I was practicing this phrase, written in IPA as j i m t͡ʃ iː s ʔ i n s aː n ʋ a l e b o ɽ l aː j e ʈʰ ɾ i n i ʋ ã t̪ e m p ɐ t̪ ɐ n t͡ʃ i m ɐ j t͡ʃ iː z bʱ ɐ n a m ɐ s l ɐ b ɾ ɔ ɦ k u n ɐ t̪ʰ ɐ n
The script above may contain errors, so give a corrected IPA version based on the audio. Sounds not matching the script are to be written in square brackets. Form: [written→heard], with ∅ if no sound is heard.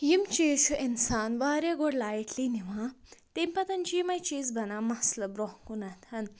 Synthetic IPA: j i m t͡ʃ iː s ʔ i n s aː n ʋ a [l→ɾ] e [b→ɡ] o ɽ l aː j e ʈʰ [ɾ→l] i n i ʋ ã t̪ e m p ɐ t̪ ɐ n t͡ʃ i m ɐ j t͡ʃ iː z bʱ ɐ n a m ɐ s l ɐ b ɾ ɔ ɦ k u n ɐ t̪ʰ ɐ n

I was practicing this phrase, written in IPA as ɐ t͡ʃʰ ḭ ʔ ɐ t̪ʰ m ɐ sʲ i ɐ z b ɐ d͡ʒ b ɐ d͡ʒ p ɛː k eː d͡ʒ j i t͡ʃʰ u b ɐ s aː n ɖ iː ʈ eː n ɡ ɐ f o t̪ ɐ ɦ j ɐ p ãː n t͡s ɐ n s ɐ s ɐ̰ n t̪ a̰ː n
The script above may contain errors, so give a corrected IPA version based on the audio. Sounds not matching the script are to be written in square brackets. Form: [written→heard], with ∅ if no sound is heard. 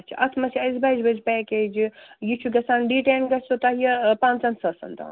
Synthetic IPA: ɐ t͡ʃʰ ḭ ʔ ɐ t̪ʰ m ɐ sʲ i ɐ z b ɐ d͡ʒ b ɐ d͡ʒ p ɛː k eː d͡ʒ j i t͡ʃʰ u [b→ɡ] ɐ s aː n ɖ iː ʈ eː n ɡ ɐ [f→s] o t̪ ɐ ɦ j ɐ p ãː n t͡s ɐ n s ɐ s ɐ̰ n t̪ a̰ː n

